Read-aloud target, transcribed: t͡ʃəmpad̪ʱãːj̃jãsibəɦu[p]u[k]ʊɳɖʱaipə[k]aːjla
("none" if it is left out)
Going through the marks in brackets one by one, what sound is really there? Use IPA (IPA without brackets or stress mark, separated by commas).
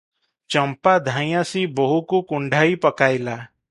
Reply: k, k, k